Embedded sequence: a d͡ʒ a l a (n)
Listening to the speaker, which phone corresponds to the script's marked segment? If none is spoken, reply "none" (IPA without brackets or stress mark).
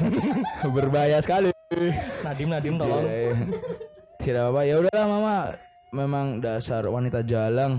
ŋ